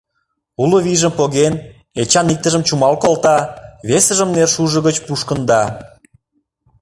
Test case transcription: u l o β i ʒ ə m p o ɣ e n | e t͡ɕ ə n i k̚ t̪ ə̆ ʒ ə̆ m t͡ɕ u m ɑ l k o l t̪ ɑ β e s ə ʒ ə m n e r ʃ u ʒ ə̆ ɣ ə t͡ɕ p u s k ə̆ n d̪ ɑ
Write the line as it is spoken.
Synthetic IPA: u l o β i ʒ ə m p o ɣ e n | e t͡ɕ ɑ n i k̚ t̪ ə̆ ʒ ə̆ m t͡ɕ u m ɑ l k o l t̪ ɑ β e s ə ʒ ə m n e r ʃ u ʒ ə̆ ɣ ə t͡ɕ p u ʃ k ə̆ n d̪ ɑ